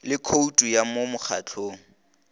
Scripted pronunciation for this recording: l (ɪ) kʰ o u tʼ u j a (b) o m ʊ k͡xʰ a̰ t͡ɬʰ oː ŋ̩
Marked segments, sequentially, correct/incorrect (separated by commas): correct, incorrect